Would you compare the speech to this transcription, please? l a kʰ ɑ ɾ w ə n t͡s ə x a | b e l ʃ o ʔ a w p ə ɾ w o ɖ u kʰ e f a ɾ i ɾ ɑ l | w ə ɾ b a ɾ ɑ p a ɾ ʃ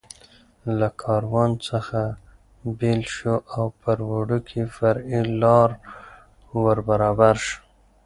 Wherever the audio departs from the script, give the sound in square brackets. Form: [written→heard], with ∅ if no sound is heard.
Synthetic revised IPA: l a kʰ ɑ ɾ w [ə→ɑ] n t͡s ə x a | b e l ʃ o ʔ a w p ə ɾ w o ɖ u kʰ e f a ɾ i [ɾ→l] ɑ [l→ɾ] | w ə ɾ b a ɾ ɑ [p→b] a ɾ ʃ